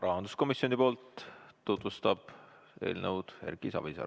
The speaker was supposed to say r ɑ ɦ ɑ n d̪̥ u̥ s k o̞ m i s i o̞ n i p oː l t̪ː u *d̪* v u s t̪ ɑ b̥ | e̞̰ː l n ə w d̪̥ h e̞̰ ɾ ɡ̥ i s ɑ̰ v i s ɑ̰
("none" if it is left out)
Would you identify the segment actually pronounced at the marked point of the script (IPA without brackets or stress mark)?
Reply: t̪